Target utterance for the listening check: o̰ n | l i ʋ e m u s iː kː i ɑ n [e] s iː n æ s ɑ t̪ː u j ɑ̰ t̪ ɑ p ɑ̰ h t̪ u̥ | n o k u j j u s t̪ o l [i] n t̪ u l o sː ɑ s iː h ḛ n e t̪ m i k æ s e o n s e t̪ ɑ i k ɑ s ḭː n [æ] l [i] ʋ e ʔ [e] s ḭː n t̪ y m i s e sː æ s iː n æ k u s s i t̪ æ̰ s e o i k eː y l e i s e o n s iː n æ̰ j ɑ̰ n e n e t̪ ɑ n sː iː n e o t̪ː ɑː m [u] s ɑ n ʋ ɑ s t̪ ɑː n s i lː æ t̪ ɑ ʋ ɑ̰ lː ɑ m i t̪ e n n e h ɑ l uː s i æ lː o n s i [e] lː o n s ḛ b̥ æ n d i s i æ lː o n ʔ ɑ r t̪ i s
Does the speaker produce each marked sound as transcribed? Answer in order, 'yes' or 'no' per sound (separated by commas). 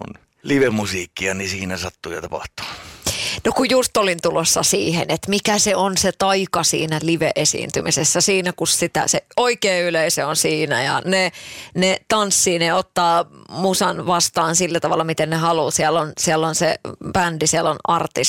no, yes, yes, yes, yes, yes, no